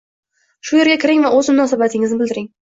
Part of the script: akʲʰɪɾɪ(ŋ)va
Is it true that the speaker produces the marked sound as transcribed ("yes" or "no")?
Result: yes